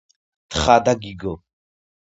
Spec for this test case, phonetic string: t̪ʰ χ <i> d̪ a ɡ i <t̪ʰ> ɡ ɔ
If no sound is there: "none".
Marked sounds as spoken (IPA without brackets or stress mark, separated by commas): a, none